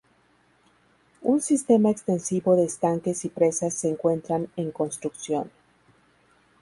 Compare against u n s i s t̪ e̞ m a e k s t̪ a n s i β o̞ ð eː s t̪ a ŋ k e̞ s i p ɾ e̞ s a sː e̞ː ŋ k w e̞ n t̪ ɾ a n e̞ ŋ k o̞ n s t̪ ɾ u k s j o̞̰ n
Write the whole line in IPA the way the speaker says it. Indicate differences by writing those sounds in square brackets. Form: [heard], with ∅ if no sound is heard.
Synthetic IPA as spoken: u n s i s t̪ e̞ m a e k s t̪ [e] n s i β o̞ ð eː s t̪ a ŋ k e̞ s i p ɾ e̞ s a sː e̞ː ŋ k w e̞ n t̪ ɾ a n e̞ ŋ k o̞ n s t̪ ɾ u k s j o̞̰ n